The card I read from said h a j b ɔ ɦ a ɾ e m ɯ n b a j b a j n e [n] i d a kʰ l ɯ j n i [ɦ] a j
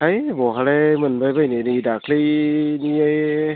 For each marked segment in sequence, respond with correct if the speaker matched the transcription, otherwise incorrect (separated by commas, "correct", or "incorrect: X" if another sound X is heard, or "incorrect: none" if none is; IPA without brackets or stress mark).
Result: correct, incorrect: none